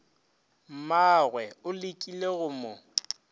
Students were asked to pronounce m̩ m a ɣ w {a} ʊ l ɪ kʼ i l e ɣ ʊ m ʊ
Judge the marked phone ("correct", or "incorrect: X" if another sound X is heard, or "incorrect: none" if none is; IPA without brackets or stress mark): incorrect: ɛ